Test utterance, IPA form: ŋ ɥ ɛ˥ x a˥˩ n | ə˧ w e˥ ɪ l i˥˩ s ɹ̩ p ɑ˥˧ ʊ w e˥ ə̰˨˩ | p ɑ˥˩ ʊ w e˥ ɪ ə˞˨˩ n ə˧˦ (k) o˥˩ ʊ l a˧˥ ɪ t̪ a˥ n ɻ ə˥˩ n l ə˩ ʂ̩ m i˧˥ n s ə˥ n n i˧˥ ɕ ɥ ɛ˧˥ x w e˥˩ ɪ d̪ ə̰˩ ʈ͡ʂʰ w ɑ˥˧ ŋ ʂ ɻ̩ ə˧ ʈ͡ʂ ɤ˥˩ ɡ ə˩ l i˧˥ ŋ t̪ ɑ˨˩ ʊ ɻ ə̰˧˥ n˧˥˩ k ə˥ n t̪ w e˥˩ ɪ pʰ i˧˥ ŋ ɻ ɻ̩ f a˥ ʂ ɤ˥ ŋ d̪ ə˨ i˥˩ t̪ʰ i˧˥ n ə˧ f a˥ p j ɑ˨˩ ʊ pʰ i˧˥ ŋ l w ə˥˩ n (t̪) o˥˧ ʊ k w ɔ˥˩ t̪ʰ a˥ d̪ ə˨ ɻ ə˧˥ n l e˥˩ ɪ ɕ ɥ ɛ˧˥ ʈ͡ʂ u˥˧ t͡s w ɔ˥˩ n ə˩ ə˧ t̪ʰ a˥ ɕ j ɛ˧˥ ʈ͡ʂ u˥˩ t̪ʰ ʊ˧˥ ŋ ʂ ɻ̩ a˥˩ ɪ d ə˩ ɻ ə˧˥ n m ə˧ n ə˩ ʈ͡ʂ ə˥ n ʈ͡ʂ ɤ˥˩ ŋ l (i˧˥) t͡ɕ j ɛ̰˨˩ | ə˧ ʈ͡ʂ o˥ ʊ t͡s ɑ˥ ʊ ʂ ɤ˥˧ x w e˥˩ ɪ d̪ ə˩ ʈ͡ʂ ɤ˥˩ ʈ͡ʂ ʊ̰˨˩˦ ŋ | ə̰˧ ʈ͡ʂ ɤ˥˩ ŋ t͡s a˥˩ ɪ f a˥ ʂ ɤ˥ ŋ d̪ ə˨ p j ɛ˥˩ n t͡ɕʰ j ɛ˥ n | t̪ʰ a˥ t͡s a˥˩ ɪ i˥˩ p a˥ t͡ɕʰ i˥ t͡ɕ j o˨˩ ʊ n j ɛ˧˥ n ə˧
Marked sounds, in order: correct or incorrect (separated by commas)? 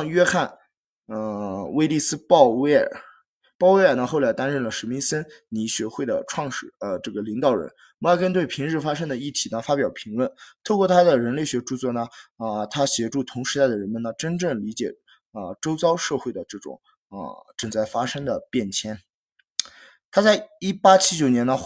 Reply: incorrect, incorrect, correct